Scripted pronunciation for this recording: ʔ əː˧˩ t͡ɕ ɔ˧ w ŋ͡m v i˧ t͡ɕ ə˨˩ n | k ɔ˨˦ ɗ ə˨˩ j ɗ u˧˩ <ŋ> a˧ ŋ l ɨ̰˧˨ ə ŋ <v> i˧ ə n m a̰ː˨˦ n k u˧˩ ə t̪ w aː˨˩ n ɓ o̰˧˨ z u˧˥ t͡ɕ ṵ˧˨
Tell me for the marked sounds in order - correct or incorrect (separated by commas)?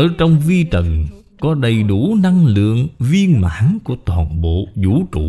incorrect, correct